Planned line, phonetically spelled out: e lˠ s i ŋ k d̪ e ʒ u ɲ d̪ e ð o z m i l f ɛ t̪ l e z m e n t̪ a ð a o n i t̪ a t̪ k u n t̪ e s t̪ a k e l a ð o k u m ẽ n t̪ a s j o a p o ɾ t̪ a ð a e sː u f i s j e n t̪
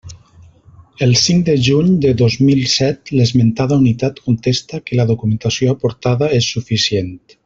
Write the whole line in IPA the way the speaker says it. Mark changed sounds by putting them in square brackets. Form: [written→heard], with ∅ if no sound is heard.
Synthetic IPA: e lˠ s i ŋ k d̪ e ʒ u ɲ d̪ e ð o z m i l [f→s] ɛ t̪ l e z m e n t̪ a ð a [o→u] n i t̪ a t̪ k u n t̪ e s t̪ a k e l a ð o k u m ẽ n t̪ a s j o a p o ɾ t̪ a ð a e sː u f i s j e n t̪